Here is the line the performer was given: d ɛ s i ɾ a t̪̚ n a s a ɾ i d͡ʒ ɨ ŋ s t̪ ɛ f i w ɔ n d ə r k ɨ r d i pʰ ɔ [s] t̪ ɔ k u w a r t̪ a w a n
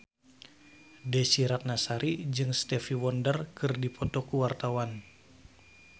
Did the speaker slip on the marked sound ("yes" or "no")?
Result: yes